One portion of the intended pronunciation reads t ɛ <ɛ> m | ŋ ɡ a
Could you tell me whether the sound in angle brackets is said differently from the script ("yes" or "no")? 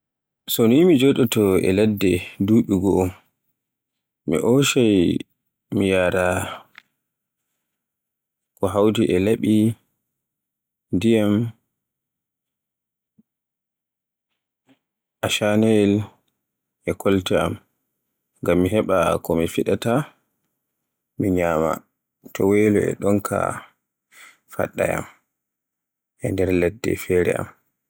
yes